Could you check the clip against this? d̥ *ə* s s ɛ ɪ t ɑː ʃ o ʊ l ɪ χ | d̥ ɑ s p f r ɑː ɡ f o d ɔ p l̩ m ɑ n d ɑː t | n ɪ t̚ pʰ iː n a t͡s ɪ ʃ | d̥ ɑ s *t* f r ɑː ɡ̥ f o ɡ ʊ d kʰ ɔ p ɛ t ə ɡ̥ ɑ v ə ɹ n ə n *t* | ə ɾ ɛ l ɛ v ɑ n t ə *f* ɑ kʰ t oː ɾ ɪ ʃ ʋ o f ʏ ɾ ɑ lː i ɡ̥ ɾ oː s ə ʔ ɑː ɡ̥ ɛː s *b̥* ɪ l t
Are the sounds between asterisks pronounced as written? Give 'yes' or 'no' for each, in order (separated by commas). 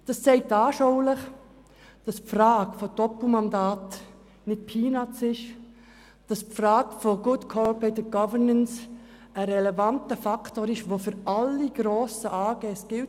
no, no, no, yes, no